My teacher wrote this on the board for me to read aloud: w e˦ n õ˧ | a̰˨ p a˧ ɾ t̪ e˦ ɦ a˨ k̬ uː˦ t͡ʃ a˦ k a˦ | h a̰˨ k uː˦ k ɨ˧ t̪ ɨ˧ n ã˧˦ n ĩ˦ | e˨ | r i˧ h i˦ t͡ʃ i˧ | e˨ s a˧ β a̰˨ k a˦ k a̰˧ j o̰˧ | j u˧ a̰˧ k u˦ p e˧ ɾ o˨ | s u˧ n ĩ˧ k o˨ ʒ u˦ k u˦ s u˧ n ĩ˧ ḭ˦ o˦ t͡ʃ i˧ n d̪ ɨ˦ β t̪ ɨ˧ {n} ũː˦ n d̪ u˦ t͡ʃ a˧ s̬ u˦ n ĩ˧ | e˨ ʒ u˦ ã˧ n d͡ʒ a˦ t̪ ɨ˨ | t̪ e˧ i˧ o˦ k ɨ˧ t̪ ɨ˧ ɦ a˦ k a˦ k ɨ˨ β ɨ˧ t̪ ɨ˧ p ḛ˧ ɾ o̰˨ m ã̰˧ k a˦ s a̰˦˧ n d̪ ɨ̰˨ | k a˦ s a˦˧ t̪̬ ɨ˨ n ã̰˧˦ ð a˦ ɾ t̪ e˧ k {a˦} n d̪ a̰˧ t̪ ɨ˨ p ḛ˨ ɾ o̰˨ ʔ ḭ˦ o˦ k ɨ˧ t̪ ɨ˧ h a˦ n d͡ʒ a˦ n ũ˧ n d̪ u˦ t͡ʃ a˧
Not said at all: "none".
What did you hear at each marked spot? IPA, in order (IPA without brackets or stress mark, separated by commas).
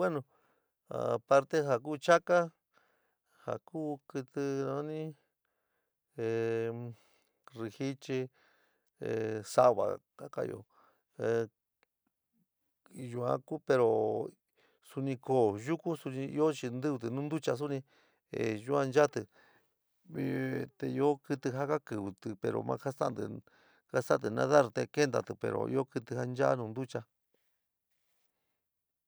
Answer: n, e˦